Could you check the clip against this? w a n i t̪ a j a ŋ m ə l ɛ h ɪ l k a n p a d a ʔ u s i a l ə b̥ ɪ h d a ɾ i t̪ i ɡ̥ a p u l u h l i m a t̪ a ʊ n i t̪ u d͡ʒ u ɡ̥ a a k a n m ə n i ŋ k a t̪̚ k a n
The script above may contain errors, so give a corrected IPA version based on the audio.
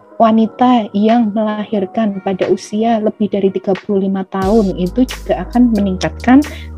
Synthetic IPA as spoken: w a n i t̪ a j a ŋ m ə l a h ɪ r k a n p a d a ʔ u s i a l ə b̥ ɪ h d a ɾ i t̪ i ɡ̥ a p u l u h l i m a t̪ a ʊ n i t̪ u d͡ʒ u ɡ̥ a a k a n m ə n i ŋ k a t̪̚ k a n